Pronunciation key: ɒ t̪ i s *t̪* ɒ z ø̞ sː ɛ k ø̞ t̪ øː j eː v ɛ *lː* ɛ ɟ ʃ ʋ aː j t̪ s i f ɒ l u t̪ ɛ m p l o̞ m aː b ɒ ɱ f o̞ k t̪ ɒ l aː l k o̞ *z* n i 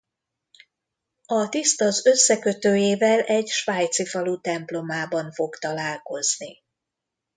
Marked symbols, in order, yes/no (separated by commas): yes, no, yes